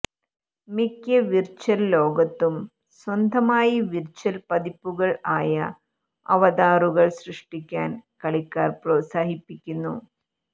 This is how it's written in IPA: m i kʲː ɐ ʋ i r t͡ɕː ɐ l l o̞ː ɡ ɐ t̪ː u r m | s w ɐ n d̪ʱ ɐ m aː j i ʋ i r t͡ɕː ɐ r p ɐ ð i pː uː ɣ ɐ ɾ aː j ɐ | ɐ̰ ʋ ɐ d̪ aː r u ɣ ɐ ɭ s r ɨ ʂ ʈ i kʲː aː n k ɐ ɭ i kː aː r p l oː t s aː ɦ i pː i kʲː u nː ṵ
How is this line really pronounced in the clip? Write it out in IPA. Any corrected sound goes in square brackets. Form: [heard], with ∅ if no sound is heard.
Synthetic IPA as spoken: m i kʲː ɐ ʋ i r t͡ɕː ɐ l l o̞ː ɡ ɐ t̪ː u [∅] m | s w ɐ n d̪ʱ ɐ m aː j i ʋ i r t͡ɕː ɐ [l] p ɐ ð i pː [u] ɣ ɐ [ɭ] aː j ɐ | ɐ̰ ʋ ɐ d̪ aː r u ɣ ɐ ɭ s r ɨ ʂ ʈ i kʲː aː n k ɐ ɭ i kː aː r p [r] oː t s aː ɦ i pː i kʲː u nː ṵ